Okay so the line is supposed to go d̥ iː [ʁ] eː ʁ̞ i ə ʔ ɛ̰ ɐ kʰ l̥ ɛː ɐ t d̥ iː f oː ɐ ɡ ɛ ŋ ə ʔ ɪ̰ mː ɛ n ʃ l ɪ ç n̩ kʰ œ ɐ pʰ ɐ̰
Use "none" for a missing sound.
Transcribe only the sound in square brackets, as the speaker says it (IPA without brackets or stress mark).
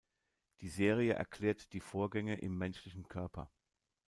z